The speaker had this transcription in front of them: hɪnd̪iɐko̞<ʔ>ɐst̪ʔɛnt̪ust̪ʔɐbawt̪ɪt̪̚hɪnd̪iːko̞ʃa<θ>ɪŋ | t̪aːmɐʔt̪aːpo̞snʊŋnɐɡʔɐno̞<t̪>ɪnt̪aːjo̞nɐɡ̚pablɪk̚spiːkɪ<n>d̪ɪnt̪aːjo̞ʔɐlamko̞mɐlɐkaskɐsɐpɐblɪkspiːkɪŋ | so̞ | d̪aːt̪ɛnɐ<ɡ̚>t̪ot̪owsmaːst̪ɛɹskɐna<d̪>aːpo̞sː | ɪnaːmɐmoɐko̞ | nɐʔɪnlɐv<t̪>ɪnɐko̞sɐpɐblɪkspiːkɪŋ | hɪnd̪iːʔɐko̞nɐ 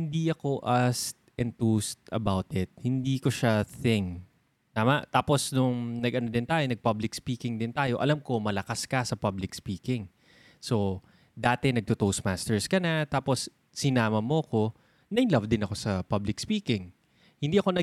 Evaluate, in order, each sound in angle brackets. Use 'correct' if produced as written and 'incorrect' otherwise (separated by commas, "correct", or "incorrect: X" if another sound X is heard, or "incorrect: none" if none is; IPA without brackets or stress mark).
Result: correct, correct, incorrect: d̪, incorrect: ŋ, correct, incorrect: t̪, incorrect: d̪